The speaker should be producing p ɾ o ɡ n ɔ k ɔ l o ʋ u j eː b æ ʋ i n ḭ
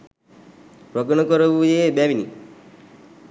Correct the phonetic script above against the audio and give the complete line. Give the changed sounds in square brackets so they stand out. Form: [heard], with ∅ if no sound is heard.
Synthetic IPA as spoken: p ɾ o ɡ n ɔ k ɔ [ɾ] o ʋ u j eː b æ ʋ i n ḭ